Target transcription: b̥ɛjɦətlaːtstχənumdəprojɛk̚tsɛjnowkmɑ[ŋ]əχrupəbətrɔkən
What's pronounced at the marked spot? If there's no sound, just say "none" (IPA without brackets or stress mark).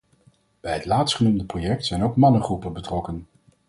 n